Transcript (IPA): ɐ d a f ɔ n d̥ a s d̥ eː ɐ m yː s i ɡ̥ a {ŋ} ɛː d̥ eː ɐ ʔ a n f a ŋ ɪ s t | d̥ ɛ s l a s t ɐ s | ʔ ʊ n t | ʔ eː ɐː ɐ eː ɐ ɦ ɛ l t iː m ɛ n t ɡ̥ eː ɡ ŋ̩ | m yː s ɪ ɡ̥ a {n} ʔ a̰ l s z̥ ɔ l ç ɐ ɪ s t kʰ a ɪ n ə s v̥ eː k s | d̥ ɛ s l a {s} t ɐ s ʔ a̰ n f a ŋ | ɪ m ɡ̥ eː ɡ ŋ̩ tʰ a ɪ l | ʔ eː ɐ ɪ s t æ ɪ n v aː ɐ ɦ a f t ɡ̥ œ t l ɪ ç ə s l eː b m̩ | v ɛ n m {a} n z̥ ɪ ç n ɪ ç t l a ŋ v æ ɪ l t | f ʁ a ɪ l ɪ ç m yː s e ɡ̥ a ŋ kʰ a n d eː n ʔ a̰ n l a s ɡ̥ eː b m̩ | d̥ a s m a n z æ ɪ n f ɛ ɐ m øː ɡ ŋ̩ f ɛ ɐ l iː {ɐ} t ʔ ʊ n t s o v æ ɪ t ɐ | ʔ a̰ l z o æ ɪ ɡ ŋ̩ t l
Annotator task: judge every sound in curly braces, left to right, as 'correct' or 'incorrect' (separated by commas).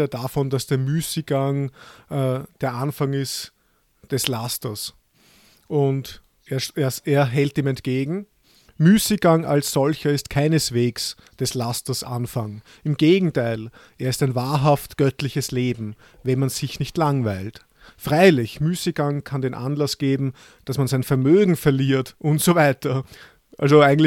correct, incorrect, correct, correct, correct